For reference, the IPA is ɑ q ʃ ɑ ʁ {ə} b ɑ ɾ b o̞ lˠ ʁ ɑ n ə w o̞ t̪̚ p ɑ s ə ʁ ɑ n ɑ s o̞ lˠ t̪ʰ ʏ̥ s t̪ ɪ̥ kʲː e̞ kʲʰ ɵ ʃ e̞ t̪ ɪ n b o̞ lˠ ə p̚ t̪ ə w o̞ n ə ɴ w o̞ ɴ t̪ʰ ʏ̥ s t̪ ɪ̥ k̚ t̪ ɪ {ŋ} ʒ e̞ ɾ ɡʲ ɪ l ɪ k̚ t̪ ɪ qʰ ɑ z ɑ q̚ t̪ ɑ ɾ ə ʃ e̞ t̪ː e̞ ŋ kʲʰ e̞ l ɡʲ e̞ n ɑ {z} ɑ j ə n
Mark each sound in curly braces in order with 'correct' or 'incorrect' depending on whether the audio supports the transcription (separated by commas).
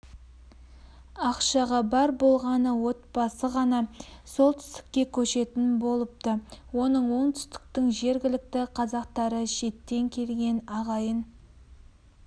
incorrect, correct, incorrect